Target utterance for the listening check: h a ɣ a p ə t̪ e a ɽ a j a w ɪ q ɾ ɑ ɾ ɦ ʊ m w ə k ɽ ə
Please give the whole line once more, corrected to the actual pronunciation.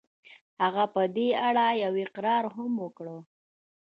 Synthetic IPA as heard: h a ɣ a p ə d̪ e a ɽ a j a w ɪ q ɾ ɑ ɾ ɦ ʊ m w ə k ɽ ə